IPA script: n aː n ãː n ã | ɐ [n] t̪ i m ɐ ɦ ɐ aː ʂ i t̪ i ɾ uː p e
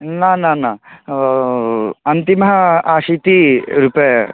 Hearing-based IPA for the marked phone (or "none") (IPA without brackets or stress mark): n